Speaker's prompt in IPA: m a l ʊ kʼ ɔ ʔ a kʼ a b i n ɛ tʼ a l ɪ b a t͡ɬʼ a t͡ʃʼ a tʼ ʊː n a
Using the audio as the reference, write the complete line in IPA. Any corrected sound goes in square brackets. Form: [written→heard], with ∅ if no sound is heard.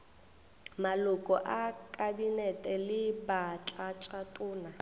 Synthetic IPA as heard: m a l ʊ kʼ ɔ ʔ a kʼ a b i n ɛ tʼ [a→ɛ] l ɪ b a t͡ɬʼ a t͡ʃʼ a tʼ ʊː n a